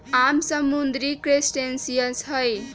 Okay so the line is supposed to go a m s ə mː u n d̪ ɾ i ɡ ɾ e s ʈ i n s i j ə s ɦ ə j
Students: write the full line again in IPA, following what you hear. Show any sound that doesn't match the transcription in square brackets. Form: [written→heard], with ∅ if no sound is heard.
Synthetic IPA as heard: a m s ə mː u n d̪ ɾ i [ɡ→k] ɾ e s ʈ [i→e] n s i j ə s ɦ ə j

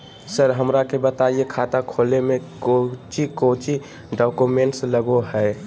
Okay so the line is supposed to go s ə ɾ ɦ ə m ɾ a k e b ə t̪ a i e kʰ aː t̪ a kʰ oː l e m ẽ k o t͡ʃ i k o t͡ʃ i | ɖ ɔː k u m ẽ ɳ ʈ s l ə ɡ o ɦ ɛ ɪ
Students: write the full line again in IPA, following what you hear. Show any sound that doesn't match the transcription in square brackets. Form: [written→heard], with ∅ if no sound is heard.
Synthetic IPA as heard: s ə ɾ ɦ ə m ɾ a k e b ə t̪ a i e kʰ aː t̪ a kʰ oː l e m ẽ k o t͡ʃ i k o t͡ʃ i | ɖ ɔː k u m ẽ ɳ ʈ s l ə ɡ o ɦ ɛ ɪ

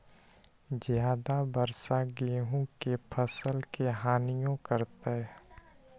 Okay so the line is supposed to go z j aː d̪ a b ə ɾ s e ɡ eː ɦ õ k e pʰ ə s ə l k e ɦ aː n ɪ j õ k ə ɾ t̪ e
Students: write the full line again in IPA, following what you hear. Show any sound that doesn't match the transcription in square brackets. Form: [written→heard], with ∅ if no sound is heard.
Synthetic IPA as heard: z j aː d̪ a b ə ɾ s [e→a] ɡ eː ɦ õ k e pʰ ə s ə l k e ɦ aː n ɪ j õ k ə ɾ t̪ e

